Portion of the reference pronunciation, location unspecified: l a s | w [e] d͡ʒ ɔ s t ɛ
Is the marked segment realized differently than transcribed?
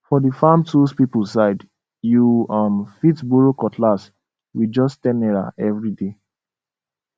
yes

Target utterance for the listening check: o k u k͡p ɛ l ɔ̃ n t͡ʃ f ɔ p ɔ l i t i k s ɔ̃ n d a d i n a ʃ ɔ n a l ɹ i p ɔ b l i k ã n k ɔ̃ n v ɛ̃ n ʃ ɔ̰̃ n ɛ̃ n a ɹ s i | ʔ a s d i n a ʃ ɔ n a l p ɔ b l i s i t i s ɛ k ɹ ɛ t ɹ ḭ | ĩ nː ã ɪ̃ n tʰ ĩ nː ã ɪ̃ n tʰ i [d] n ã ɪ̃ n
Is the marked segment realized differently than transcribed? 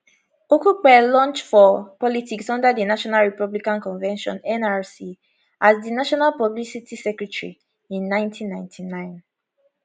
yes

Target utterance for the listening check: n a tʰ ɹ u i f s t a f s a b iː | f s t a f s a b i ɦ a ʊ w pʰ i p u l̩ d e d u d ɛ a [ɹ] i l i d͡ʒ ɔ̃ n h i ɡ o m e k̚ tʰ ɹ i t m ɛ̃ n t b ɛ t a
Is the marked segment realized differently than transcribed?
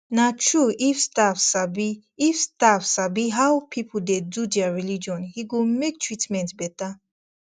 no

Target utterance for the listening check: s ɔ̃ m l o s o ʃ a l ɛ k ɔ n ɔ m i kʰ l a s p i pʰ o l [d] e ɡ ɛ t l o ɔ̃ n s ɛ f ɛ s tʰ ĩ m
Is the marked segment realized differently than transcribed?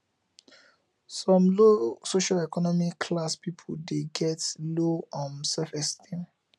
no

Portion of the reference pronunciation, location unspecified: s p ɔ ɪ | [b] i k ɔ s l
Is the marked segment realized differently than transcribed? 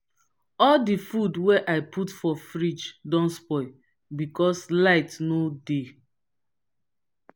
no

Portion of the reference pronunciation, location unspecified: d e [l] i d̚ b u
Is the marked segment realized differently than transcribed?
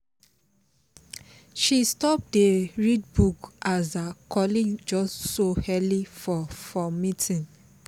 yes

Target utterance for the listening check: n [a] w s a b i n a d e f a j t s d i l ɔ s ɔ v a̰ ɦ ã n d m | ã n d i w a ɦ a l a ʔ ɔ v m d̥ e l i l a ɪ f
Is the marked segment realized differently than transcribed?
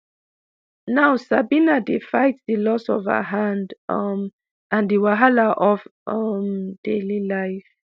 no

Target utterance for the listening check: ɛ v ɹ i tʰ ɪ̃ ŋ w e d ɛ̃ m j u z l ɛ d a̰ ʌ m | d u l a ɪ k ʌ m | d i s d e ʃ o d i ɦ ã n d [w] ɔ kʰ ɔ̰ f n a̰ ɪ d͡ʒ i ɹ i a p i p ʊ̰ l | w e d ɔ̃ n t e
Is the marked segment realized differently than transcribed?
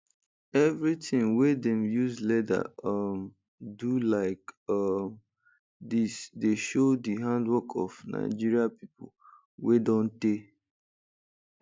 no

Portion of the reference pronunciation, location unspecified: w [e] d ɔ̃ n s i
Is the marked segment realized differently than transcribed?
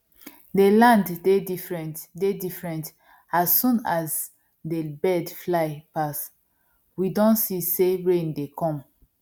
yes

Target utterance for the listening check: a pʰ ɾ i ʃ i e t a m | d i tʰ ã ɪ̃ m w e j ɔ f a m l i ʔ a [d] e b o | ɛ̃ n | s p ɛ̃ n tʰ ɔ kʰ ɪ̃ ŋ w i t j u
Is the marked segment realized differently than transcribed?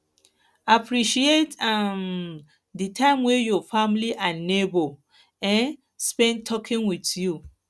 yes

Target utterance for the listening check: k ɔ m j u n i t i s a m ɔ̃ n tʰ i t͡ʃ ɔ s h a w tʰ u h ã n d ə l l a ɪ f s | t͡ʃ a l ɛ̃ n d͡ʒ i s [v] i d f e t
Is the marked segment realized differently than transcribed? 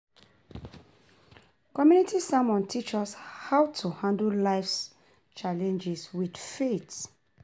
yes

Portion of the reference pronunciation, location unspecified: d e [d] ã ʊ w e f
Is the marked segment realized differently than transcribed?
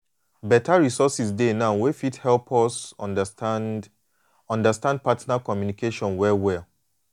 yes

